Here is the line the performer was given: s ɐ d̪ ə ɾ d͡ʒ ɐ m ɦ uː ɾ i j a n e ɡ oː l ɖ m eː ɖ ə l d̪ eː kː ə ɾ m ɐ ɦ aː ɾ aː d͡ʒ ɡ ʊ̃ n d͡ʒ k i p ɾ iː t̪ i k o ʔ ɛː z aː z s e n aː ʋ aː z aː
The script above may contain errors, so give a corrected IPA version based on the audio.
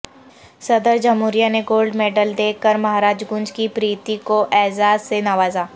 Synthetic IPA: s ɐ d̪ ə ɾ d͡ʒ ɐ m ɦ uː ɾ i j a n e ɡ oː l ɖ m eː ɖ ə l d̪ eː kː ə ɾ m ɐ ɦ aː ɾ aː d͡ʒ ɡ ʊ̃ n d͡ʒ k i p ɾ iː t̪ i k o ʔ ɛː z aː z s e n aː ʋ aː z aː